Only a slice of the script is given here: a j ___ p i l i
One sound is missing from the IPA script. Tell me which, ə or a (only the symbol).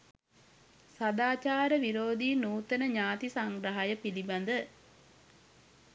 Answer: ə